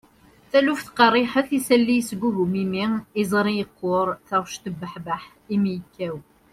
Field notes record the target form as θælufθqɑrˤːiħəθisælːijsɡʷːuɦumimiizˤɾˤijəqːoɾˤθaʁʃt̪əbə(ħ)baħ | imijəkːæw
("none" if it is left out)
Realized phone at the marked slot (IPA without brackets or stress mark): ħ